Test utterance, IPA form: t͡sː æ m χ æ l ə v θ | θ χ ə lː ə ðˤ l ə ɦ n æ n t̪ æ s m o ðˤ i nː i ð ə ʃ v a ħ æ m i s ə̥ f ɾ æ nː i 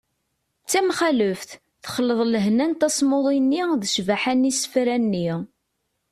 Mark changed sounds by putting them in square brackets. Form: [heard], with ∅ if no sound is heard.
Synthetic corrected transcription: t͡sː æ m χ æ l ə [f] θ | θ χ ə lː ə ðˤ l ə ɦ n æ n t̪ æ s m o ðˤ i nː i ð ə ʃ v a ħ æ [n] i s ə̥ f ɾ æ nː i